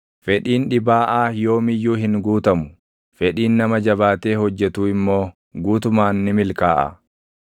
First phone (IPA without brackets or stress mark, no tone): f